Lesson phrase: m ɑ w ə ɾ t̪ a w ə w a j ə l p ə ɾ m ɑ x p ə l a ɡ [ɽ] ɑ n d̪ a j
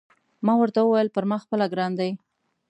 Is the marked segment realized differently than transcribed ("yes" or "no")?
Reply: yes